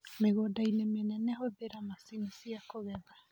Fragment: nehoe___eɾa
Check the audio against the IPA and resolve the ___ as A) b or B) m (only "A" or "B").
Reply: A